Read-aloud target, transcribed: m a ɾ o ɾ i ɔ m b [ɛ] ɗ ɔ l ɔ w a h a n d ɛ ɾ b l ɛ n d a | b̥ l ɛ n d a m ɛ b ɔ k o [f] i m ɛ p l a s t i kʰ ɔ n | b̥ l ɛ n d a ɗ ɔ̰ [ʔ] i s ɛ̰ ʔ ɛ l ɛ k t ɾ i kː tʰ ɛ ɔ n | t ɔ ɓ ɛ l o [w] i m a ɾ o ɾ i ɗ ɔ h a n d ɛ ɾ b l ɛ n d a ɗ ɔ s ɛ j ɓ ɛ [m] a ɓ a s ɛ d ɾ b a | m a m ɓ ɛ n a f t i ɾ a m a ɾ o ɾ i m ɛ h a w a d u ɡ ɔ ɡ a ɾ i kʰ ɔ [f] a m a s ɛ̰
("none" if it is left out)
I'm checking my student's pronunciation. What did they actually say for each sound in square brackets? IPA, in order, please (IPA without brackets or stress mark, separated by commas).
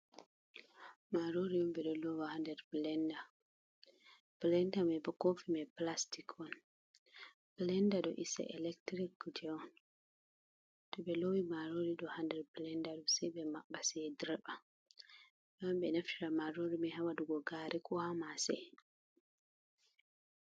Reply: ɛ, f, ʔ, w, m, h